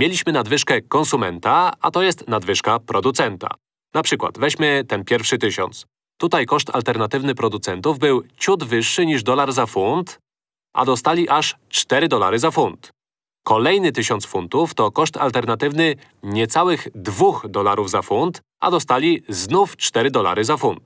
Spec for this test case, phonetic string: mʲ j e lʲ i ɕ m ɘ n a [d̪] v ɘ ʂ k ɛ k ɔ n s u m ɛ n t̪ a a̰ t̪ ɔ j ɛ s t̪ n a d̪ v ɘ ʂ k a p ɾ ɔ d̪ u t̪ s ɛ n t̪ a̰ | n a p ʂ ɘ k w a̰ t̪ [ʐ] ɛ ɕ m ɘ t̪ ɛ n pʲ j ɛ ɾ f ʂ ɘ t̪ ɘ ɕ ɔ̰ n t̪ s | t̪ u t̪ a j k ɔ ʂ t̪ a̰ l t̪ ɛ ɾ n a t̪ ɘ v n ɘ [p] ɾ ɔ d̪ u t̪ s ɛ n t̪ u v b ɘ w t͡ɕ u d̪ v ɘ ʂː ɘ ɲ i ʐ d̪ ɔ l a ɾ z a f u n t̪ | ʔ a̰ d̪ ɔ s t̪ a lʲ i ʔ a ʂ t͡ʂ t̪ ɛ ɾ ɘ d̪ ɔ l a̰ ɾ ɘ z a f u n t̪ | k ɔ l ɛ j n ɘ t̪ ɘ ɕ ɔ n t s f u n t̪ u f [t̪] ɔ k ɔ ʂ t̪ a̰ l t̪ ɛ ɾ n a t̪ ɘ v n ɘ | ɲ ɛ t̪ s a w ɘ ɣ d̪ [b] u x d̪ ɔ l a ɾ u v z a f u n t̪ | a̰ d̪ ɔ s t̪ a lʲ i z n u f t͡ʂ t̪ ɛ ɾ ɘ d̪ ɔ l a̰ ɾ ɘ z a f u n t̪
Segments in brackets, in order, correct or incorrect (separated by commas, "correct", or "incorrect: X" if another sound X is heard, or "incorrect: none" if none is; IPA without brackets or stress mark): correct, incorrect: v, correct, correct, incorrect: v